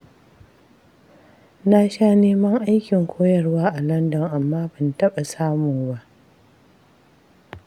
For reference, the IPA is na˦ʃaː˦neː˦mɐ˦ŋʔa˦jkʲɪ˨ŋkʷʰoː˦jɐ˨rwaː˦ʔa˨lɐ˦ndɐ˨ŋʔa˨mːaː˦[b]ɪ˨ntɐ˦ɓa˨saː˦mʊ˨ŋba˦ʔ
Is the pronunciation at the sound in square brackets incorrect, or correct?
correct